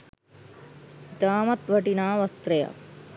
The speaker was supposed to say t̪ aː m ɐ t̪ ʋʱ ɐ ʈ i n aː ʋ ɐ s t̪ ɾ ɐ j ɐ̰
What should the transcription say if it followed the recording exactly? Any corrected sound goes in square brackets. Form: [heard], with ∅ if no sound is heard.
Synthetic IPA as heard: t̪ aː m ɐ t̪ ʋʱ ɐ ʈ i n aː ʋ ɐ s t̪ ɾ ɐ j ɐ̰